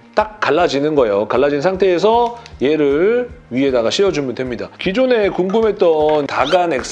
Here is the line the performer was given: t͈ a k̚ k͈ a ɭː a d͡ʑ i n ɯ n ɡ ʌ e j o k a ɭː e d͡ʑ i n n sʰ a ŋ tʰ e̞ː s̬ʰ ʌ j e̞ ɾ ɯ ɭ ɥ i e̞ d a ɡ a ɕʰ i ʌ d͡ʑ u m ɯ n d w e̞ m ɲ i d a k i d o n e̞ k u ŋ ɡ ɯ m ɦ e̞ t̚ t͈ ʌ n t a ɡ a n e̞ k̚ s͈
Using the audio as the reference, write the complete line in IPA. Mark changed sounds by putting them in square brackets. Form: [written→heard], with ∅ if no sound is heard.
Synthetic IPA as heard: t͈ a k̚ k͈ a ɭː a d͡ʑ i n ɯ n ɡ ʌ e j o k a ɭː [e→a] d͡ʑ i n n sʰ a ŋ tʰ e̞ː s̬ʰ ʌ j e̞ ɾ ɯ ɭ ɥ i e̞ d a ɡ a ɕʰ i ʌ d͡ʑ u m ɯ n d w e̞ m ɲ i d a k i [d→d͡ʑ] o n e̞ k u ŋ ɡ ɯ m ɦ e̞ t̚ t͈ ʌ n t a ɡ a n e̞ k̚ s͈